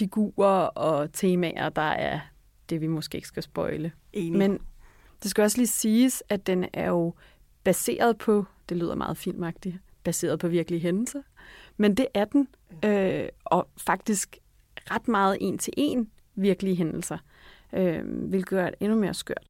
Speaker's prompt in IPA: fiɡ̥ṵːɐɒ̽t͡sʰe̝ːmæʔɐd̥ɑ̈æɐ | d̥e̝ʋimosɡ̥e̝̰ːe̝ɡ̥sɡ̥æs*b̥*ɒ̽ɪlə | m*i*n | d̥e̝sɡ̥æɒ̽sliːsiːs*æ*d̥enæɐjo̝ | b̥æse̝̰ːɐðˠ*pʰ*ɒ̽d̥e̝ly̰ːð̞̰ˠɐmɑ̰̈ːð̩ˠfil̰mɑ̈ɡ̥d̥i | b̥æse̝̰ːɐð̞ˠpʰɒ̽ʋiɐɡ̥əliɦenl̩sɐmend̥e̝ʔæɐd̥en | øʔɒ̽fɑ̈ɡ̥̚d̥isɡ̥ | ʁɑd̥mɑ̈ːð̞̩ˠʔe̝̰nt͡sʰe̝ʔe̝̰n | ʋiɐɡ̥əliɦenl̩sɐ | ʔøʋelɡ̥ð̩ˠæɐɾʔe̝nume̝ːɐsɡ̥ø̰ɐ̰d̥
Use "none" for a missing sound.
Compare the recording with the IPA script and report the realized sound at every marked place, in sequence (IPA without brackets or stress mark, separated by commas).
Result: b̥, e, æ, pʰ